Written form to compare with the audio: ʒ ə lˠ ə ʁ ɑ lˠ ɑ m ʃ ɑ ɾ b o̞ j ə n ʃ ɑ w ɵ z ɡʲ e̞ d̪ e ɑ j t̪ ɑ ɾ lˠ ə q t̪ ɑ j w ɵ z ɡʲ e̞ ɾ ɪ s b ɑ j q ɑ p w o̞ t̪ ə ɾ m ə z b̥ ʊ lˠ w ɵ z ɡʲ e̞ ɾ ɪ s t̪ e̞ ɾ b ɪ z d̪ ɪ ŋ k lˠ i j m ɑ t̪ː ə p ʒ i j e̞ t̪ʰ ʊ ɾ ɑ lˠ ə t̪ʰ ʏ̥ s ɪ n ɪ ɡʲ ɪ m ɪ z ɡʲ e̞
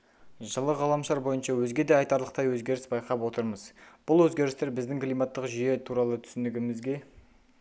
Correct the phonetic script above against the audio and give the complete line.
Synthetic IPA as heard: ʒ ə lˠ ə ʁ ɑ lˠ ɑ m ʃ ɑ ɾ b o̞ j ə n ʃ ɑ w ɵ z ɡʲ e̞ d̪ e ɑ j t̪ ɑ ɾ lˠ ə q t̪ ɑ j w ɵ z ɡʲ e̞ ɾ ɪ s b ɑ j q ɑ p w o̞ t̪ ə ɾ m ə z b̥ ʊ lˠ w ɵ z ɡʲ e̞ ɾ ɪ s t̪ e̞ ɾ b ɪ z d̪ ɪ ŋ k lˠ i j m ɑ t̪ː ə q ʒ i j e̞ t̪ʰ u ɾ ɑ lˠ ə t̪ʰ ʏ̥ s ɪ n ɪ ɡʲ ɪ m ɪ z ɡʲ e̞

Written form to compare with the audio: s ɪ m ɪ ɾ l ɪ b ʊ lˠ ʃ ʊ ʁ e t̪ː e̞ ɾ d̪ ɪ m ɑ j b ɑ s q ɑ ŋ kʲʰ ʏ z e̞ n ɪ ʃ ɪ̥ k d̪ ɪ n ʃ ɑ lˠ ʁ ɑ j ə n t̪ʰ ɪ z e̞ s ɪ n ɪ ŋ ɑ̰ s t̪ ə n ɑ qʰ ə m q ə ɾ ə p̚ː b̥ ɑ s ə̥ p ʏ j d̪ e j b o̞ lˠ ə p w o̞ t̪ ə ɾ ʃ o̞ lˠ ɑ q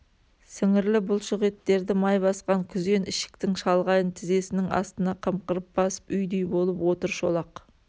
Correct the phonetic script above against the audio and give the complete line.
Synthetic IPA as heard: s ɪ ŋ ɪ ɾ l ɪ b ʊ lˠ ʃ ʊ ʁ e t̪ː e̞ ɾ d̪ ɪ m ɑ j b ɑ s q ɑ ŋ kʲʰ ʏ z e̞ n ɪ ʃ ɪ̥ k t̪ ɪ ŋ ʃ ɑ lˠ ʁ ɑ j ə n t̪ʰ ɪ z e̞ s ɪ n ɪ ŋ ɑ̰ s t̪ ə n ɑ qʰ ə m q ə ɾ ə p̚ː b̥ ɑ s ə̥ p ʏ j d̪ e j b o̞ lˠ ə p w o̞ t̪ ə ɾ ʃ o̞ lˠ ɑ q

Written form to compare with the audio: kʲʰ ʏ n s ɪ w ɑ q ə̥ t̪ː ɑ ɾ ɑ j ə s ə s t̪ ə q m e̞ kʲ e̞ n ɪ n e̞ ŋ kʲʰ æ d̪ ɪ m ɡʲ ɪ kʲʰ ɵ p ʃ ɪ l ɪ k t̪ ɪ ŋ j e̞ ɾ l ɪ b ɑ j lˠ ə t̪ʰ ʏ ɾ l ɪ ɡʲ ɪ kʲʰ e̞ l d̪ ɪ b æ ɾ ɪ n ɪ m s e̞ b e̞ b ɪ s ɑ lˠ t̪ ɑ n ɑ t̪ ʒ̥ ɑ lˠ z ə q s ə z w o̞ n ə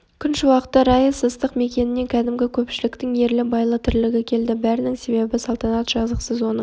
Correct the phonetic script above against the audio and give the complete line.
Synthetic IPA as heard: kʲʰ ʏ n ʃ ɪ w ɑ q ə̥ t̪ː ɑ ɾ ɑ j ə s ə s t̪ ə q m e̞ kʲ e̞ n ɪ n e̞ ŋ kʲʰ æ d̪ ɪ m ɡʲ ɪ kʲʰ ɵ p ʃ ɪ l ɪ k t̪ ɪ ŋ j e̞ ɾ l ɪ b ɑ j lˠ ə t̪ʰ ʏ ɾ l ɪ ɡʲ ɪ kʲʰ e̞ l d̪ ɪ b æ ɾ ɪ n ɪ ŋ s e̞ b e̞ b ɪ s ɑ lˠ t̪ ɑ n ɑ t̪ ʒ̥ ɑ z ə q s ə z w o̞ n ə

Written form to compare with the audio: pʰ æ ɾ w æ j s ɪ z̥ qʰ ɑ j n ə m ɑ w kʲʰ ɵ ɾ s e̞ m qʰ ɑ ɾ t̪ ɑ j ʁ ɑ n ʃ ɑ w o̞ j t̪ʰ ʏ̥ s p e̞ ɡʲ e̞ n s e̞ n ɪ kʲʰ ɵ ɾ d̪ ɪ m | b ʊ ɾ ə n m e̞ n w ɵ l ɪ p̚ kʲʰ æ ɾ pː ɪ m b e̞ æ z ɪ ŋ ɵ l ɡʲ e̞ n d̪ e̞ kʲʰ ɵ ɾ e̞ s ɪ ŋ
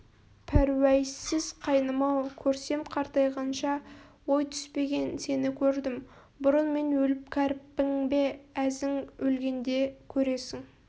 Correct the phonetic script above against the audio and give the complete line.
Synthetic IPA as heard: pʰ æ ɾ w æ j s ɪ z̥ qʰ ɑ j n ə m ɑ w kʲʰ ɵ ɾ s e̞ m qʰ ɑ ɾ t̪ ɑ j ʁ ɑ n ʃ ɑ w o̞ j t̪ʰ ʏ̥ s p e̞ ɡʲ e̞ n s e̞ n ɪ kʲʰ ɵ ɾ d̪ ɪ m | b ʊ ɾ ə n m e̞ n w ɵ l ɪ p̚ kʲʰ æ ɾ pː ɪ ŋ b e̞ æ z ɪ ŋ ɵ l ɡʲ e̞ n d̪ e̞ kʲʰ ɵ ɾ e̞ s ɪ ŋ

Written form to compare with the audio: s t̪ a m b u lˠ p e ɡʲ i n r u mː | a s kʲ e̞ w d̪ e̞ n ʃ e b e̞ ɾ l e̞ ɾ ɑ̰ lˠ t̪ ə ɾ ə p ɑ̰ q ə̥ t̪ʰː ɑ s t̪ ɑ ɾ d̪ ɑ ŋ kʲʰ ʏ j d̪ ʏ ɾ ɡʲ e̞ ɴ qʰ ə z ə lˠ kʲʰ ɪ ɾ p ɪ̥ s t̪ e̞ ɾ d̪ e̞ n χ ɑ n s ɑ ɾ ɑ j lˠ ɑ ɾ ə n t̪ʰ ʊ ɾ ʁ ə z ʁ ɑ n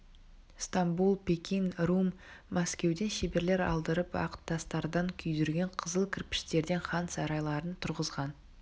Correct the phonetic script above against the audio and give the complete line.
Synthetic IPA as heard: s t̪ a m b u lˠ p e kʲ i n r u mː | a s kʲ e̞ w d̪ e̞ n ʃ e b e̞ ɾ l e̞ ɾ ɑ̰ lˠ d̪ ə ɾ ə p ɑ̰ q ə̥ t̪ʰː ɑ s t̪ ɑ ɾ d̪ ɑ ŋ kʲʰ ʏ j d̪ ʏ ɾ ɡʲ e̞ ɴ qʰ ə z ə lˠ kʲʰ ɪ ɾ p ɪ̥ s t̪ e̞ ɾ d̪ e̞ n χ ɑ n s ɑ ɾ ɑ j lˠ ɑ ɾ ə n t̪ʰ ʊ ɾ ʁ ə z ʁ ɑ n

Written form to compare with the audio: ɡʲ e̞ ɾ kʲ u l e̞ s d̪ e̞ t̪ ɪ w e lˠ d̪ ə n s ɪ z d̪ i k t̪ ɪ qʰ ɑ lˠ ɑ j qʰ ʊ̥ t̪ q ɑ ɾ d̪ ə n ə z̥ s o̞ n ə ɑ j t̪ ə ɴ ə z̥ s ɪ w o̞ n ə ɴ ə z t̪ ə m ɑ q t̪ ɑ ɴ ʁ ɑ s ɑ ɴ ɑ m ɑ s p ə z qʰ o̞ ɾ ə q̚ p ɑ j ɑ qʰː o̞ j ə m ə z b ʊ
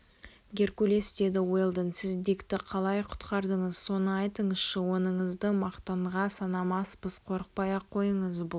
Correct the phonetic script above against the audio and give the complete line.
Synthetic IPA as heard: ɡʲ e̞ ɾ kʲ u l e̞ s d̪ e̞ d̪ ɪ w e lˠ d̪ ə n s ɪ z d̪ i k t̪ ɪ qʰ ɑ lˠ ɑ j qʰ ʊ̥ t̪ q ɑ ɾ d̪ ə ɴ ə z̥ s o̞ n ə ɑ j t̪ ə ɴ ə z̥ ʃ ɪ w o̞ n ə ɴ ə z d̪ ə m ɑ q t̪ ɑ ɴ ʁ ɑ s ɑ n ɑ m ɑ s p ə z qʰ o̞ ɾ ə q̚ p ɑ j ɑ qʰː o̞ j ə ɴ ə z b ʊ

